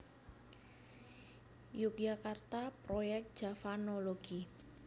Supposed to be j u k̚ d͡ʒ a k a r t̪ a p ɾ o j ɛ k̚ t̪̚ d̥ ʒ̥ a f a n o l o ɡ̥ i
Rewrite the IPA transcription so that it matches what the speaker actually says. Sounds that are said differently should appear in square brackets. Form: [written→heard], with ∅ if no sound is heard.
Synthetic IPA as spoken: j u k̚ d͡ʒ a k a r t̪ a p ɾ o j ɛ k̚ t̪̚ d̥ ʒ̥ a f a n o l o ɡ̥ i